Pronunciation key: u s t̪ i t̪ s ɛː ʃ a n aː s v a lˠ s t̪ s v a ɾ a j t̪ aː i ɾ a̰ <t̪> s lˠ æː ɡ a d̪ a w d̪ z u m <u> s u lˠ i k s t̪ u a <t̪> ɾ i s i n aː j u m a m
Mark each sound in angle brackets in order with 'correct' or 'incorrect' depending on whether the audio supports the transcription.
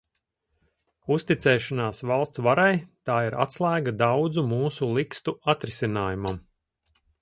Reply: correct, incorrect: uː, correct

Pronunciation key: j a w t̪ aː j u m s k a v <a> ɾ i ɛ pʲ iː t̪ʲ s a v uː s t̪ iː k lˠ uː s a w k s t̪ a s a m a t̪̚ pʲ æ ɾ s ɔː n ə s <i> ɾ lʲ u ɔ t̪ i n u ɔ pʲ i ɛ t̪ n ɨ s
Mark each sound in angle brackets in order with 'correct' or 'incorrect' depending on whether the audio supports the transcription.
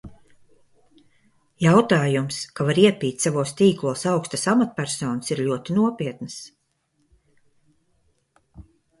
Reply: correct, correct

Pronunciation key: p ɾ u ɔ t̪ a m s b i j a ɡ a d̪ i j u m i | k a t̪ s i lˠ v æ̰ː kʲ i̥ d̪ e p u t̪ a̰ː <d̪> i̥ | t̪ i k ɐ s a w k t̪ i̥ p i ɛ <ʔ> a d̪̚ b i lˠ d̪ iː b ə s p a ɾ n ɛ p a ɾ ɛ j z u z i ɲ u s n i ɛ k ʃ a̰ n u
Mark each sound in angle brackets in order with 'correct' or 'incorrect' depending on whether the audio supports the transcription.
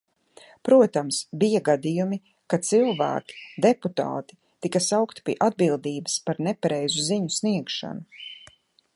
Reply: incorrect: t̪, correct

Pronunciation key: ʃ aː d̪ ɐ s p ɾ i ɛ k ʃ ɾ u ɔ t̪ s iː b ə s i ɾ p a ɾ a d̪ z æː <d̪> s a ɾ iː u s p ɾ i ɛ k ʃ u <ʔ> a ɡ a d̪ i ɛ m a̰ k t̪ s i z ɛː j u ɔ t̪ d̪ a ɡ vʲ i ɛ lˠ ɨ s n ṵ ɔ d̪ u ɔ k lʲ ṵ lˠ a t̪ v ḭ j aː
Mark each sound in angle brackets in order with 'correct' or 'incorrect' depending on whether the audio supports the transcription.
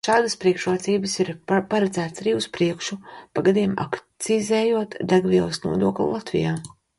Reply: incorrect: t̪, incorrect: p

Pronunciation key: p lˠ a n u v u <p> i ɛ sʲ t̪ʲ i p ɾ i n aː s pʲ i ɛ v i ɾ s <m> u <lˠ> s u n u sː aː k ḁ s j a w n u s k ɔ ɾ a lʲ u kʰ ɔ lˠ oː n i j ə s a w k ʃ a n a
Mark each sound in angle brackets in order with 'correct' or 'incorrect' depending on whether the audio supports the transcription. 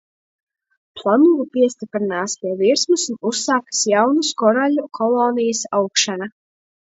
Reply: correct, correct, incorrect: none

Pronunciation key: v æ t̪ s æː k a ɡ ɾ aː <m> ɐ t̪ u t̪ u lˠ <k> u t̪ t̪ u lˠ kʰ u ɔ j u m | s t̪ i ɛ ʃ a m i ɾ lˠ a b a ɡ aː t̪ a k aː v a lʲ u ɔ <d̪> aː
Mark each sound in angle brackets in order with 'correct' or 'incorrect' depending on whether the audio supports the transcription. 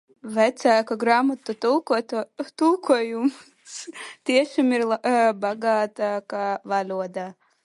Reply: correct, correct, correct

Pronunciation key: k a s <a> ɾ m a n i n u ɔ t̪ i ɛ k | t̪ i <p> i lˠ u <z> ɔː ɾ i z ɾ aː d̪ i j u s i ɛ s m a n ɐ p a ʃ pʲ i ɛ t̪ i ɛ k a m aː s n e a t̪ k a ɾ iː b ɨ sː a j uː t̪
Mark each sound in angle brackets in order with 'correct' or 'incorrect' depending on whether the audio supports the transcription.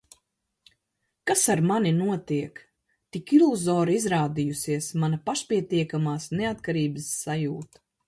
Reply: correct, incorrect: k, correct

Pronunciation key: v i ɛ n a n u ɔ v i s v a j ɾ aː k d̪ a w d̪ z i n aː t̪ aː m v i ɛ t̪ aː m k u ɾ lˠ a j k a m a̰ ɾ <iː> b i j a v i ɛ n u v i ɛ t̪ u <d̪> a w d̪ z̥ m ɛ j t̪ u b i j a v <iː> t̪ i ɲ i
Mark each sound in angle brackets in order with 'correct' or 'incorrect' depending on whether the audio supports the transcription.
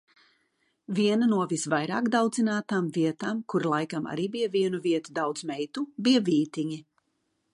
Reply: correct, correct, correct

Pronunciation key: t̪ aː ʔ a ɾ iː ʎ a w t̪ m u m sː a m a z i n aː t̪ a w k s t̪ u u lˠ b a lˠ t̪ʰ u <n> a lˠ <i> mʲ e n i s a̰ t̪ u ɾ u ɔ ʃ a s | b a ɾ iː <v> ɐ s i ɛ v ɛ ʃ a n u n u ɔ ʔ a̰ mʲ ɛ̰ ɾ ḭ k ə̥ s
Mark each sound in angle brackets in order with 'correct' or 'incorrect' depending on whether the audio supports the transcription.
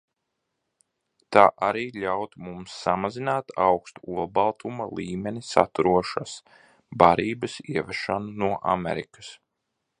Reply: incorrect: m, incorrect: iː, incorrect: b

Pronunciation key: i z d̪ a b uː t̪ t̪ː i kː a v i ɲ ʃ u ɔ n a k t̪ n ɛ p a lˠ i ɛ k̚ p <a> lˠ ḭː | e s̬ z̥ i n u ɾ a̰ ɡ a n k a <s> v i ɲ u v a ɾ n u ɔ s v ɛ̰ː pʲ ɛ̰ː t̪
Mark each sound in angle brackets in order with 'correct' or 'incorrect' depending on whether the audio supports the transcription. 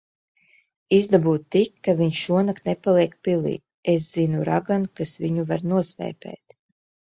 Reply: incorrect: i, correct

